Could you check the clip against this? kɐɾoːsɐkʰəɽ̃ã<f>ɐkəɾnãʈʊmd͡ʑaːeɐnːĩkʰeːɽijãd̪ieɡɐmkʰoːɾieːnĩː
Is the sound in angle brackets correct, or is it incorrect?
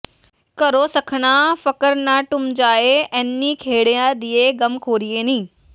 correct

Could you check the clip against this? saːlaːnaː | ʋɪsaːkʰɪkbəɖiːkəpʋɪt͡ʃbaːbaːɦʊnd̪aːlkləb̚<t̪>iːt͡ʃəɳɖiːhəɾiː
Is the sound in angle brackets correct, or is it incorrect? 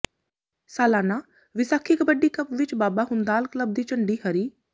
incorrect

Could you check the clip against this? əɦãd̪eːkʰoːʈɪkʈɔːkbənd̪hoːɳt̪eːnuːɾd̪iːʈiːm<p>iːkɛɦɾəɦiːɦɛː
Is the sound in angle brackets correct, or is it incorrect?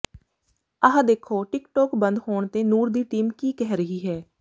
incorrect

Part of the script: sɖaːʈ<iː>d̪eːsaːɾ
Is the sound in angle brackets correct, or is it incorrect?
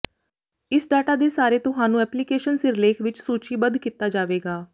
incorrect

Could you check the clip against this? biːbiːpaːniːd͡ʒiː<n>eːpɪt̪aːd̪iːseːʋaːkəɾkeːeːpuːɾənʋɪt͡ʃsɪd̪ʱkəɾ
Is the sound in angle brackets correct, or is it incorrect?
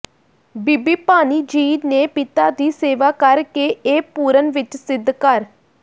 correct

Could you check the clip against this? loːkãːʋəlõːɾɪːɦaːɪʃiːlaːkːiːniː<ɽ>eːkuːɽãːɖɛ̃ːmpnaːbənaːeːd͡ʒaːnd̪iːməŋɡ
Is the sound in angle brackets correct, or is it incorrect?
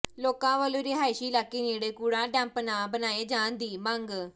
correct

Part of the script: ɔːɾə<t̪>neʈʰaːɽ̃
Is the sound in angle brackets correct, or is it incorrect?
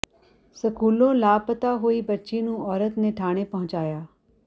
correct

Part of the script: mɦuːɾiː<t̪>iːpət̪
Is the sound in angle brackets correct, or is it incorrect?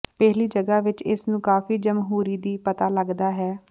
incorrect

